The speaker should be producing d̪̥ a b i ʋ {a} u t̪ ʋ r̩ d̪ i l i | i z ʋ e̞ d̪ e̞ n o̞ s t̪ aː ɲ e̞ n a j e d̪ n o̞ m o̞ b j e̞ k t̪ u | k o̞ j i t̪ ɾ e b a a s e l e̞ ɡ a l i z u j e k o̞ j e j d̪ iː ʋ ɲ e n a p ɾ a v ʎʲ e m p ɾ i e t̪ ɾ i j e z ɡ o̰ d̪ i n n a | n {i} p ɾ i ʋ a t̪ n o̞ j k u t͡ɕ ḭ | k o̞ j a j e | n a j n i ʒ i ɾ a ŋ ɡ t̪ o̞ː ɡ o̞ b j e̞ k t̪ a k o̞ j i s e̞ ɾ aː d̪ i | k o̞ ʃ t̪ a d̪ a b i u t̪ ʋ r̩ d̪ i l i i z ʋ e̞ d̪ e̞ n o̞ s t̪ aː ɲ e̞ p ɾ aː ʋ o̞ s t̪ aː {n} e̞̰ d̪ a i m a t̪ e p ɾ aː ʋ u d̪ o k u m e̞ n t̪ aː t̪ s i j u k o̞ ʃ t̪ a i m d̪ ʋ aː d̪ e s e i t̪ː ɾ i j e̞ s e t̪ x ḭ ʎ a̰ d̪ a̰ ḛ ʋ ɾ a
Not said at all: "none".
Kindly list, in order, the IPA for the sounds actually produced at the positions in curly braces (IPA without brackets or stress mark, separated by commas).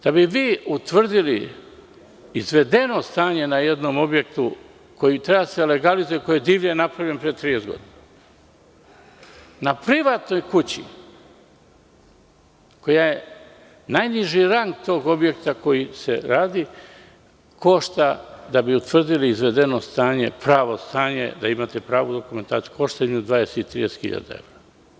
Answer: i, a, ɲ